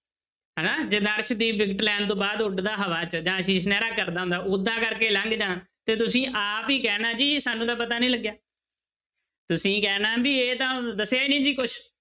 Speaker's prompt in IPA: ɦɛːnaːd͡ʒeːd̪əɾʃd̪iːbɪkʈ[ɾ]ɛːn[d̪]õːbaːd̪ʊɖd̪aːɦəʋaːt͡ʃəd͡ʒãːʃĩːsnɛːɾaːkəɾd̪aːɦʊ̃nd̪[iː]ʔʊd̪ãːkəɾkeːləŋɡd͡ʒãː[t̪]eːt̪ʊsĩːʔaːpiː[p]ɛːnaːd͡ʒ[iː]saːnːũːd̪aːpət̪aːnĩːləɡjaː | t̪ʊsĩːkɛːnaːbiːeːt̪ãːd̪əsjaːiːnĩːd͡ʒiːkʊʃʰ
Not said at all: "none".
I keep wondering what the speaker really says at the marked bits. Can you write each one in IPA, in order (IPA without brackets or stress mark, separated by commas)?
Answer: l, t̪, aː, t̪, k, iː